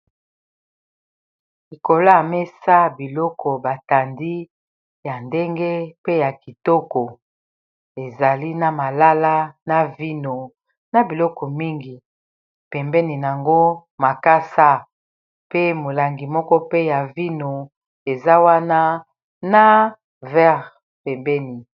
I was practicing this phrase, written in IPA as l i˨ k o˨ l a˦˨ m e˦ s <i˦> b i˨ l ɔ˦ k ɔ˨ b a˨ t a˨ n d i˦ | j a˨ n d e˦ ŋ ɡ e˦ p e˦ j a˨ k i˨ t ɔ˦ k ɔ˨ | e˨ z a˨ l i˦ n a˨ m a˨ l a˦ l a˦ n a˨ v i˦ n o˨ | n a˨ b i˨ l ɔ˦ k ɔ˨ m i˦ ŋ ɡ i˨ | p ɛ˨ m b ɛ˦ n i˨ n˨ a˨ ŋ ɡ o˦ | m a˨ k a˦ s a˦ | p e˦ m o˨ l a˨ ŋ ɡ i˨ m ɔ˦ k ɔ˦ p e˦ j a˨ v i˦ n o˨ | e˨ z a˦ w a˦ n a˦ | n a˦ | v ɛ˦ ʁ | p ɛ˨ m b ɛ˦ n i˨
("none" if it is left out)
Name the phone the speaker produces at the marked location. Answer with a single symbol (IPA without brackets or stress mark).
a˦